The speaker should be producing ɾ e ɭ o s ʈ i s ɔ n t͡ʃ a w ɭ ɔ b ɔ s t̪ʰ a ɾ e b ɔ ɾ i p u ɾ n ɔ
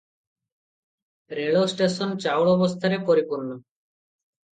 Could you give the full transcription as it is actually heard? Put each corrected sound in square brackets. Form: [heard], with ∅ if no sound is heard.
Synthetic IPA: ɾ e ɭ o s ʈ [e] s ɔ n t͡ʃ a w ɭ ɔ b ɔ s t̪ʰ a ɾ e [p] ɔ ɾ i p u ɾ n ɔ